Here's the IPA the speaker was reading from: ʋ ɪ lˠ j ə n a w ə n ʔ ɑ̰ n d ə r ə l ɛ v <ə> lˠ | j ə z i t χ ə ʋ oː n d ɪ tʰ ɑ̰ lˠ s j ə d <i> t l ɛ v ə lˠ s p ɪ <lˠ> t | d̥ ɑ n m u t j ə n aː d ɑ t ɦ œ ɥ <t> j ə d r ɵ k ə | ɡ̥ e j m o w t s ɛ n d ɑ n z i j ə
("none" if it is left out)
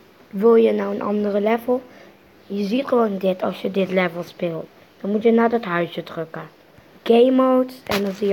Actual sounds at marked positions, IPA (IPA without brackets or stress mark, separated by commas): ə, ɪ, lˠ, s